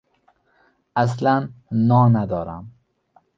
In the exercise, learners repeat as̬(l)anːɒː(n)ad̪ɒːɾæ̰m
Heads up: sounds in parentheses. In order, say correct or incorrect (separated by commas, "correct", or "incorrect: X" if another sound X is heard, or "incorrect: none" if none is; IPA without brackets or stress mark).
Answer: correct, correct